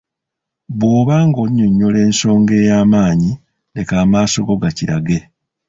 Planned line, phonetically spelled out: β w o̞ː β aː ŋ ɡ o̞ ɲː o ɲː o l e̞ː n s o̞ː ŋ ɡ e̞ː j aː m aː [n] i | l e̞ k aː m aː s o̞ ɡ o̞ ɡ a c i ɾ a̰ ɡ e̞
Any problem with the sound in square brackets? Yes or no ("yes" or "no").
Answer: yes